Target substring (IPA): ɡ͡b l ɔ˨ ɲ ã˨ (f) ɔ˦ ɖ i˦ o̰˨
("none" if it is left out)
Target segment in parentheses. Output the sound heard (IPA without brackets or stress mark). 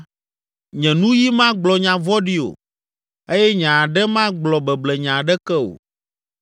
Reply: v